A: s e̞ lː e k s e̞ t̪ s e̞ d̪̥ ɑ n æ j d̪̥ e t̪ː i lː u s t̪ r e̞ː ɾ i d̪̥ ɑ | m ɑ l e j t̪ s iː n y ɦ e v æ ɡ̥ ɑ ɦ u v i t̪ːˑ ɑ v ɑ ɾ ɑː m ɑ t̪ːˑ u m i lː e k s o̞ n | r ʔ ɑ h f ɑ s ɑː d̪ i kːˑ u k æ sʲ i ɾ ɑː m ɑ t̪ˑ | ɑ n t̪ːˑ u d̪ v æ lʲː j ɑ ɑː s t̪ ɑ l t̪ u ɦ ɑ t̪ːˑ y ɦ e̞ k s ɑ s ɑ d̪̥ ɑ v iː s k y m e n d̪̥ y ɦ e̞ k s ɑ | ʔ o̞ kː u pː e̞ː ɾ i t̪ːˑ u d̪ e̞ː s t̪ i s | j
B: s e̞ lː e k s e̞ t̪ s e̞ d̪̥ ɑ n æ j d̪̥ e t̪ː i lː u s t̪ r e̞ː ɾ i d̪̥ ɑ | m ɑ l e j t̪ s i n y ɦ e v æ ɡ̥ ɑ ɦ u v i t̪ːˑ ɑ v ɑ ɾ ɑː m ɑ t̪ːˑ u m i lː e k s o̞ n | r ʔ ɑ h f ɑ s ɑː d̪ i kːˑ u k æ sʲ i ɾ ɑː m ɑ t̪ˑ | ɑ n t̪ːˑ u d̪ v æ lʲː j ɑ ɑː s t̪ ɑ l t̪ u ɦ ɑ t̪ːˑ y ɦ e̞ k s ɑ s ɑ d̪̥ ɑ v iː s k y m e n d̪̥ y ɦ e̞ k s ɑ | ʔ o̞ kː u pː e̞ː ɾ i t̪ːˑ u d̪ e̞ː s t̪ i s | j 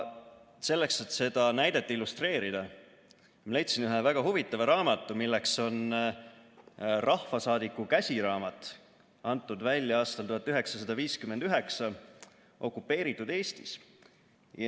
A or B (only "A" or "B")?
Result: B